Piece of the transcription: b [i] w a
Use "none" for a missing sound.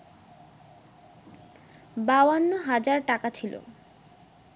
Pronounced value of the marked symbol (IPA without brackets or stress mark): a